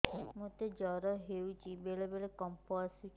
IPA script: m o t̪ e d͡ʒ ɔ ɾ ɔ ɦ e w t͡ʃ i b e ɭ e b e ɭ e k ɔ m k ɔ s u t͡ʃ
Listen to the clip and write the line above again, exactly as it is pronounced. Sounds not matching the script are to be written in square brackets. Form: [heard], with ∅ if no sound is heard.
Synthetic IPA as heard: m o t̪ e d͡ʒ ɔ ɾ ɔ ɦ e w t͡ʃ i b e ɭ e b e ɭ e k ɔ m [p] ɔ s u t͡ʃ